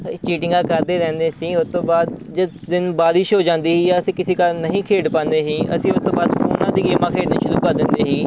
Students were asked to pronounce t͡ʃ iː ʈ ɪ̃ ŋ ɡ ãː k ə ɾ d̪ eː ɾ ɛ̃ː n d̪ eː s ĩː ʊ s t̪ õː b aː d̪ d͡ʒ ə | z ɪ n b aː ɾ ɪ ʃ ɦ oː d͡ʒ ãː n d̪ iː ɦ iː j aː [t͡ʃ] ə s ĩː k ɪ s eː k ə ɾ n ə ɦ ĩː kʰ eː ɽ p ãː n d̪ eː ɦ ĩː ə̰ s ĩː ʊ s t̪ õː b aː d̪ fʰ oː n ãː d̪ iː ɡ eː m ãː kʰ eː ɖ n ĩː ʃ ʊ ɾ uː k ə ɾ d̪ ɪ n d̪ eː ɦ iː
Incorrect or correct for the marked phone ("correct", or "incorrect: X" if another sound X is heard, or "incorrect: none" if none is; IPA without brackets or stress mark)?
incorrect: none